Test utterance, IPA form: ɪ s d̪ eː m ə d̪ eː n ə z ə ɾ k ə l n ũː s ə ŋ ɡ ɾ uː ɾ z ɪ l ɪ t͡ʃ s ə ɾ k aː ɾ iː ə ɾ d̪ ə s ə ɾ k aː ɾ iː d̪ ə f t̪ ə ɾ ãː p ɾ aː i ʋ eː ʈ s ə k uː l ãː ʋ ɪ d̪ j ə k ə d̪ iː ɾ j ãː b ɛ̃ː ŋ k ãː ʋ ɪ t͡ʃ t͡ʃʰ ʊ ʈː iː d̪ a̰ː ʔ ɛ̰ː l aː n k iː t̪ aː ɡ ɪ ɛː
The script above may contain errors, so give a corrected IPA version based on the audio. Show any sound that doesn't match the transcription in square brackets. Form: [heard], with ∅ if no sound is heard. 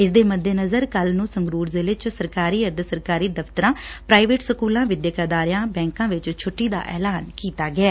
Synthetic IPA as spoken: ɪ s d̪ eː m ə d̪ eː n ə z ə ɾ k ə l n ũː s ə ŋ ɡ ɾ uː ɾ z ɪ l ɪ t͡ʃ s ə ɾ k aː ɾ iː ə ɾ d̪ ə s ə ɾ k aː ɾ iː d̪ ə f t̪ ə ɾ ãː p ɾ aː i ʋ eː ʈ s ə k uː l ãː ʋ ɪ d̪ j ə k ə d̪ [aː] ɾ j ãː b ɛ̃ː ŋ k ãː ʋ ɪ t͡ʃ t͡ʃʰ ʊ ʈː iː d̪ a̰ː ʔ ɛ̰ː l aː n k iː t̪ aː ɡ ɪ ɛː